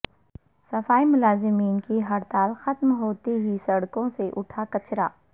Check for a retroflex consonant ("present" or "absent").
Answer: present